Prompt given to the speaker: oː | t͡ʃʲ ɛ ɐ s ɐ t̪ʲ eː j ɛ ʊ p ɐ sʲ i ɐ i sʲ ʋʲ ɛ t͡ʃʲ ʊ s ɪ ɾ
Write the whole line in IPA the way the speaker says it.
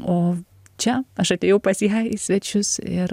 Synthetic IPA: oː | t͡ʃʲ ɛ ɐ ʃ ɐ t̪ʲ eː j ɛ ʊ p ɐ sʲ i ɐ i sʲ ʋʲ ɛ t͡ʃʲ ʊ s ɪ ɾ